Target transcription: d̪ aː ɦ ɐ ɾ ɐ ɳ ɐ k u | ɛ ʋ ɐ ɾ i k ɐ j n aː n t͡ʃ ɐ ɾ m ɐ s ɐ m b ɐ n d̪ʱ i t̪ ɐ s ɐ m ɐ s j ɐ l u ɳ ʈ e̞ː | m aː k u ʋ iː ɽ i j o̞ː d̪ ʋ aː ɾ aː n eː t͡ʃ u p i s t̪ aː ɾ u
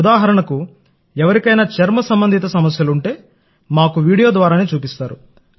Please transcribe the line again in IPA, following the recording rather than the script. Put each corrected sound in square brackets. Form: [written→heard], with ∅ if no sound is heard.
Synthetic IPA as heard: d̪ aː ɦ ɐ ɾ ɐ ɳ ɐ k u | ɛ ʋ ɐ ɾ i k ɐ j n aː [n→∅] t͡ʃ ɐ ɾ m ɐ s ɐ m b ɐ n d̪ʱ i t̪ ɐ s ɐ m ɐ s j ɐ l u ɳ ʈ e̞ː | m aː k u ʋ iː ɽ i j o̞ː d̪ ʋ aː ɾ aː n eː t͡ʃ [u→uː] p i s t̪ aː ɾ u